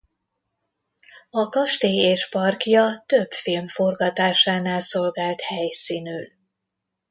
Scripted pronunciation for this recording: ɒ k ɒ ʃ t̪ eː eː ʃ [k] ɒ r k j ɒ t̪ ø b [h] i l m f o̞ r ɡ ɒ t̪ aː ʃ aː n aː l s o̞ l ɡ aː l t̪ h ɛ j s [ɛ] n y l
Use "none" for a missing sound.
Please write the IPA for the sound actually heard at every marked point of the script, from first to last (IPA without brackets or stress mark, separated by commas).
p, f, i